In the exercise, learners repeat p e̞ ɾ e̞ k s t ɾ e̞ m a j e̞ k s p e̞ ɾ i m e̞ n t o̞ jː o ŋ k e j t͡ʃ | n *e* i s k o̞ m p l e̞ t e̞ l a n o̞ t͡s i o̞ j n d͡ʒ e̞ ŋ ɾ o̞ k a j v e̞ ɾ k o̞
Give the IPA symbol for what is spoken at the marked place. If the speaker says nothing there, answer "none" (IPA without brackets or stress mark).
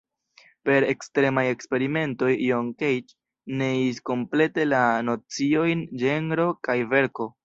e